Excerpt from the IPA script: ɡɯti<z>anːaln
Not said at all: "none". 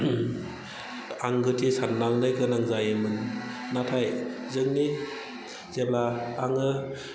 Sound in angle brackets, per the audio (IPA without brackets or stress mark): s